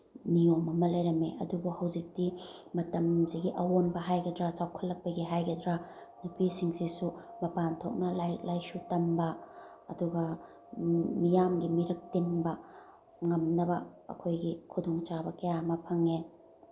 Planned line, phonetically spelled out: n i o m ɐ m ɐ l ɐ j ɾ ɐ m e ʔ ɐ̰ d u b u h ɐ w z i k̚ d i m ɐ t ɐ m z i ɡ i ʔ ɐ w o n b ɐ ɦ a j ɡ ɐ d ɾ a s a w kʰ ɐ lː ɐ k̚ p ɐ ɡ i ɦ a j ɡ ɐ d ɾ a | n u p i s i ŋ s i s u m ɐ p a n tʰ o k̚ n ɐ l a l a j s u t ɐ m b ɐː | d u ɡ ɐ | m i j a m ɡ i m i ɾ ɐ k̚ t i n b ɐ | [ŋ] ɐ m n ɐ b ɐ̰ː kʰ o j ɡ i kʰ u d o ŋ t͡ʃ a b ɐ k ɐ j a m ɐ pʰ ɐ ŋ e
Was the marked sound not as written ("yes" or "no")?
no